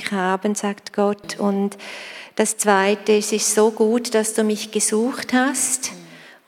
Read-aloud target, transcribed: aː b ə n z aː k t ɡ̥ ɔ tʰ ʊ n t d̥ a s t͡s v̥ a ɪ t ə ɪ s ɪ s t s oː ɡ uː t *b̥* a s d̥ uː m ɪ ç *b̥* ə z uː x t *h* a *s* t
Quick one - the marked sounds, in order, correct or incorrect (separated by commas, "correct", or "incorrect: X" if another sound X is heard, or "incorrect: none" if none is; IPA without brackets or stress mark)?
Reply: incorrect: d̥, incorrect: ɡ̥, correct, correct